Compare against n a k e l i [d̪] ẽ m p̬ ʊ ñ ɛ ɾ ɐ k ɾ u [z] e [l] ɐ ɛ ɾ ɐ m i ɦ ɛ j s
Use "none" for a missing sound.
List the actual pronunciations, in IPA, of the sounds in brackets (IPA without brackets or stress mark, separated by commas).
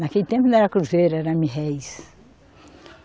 t̪, z, ɾ